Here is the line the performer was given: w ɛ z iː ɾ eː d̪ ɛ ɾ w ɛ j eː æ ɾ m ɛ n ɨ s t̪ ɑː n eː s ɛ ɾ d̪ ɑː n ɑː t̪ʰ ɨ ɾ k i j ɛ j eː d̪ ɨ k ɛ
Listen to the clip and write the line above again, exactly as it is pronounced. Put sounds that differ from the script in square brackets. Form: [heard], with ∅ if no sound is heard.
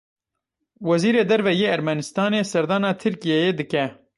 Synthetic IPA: w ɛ z iː ɾ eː d̪ ɛ ɾ [v] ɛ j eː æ ɾ m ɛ n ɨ s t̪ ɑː n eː s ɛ ɾ d̪ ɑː n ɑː t̪ʰ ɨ ɾ k i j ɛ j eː d̪ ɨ k ɛ